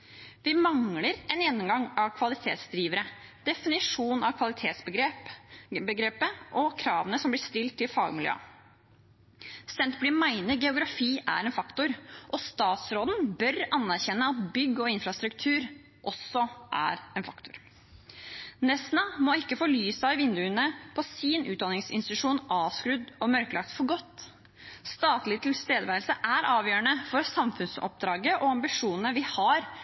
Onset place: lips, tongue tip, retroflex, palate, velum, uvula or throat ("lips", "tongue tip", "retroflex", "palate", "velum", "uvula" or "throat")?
lips